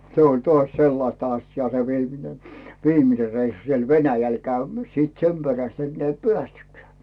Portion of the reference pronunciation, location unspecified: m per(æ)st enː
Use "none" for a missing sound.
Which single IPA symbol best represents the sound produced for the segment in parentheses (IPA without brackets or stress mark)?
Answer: æ